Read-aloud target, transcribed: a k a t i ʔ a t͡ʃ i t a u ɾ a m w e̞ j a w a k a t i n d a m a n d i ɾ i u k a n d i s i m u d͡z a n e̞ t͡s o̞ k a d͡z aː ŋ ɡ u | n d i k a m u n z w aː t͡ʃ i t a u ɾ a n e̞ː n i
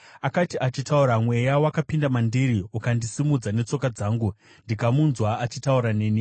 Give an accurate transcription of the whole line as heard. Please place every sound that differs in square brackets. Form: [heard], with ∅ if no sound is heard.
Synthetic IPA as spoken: a k a t i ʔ a t͡ʃ i t a u ɾ a m w e̞ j a w a k a [p] i n d a m a n d i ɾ i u k a n d i s i m u d͡z a n e̞ t͡s o̞ k a d͡z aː ŋ ɡ u | n d i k a m u n z w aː t͡ʃ i t a u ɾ a n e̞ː n i